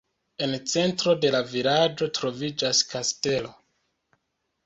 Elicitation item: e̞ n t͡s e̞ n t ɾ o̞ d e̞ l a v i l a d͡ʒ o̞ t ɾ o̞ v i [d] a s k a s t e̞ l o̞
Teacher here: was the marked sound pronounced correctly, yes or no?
no